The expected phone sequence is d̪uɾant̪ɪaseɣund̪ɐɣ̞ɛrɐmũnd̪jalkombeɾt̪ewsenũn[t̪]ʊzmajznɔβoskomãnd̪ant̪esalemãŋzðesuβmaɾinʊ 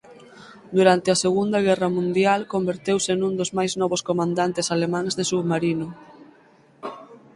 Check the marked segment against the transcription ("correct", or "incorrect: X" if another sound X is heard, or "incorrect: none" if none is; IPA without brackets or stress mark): incorrect: d̪